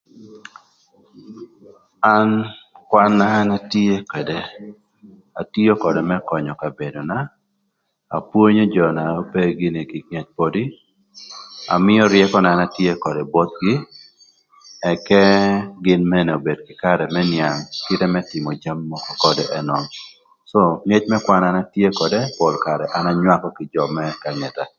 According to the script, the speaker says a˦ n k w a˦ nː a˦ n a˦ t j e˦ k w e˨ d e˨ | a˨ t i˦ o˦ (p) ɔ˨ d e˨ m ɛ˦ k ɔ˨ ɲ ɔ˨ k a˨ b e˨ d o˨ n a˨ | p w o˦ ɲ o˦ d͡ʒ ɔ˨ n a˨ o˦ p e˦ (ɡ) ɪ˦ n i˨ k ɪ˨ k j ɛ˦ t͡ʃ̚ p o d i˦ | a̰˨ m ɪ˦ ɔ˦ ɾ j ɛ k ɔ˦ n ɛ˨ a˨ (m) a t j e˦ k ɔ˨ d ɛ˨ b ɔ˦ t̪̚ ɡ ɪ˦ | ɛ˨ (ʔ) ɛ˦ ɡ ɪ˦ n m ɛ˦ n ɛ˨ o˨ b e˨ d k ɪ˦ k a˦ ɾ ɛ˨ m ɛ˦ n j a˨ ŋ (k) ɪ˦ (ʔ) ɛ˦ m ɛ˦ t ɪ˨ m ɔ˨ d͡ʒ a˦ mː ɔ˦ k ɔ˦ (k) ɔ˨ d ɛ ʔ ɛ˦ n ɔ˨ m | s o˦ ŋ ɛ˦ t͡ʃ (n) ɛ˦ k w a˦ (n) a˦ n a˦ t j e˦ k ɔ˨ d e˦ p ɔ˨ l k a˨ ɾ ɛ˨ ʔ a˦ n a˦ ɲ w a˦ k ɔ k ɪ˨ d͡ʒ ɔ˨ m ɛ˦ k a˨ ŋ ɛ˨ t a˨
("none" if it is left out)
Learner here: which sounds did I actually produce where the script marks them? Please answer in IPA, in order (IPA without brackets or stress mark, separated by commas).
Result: k, ɡ, n, k, k, t, k, m, n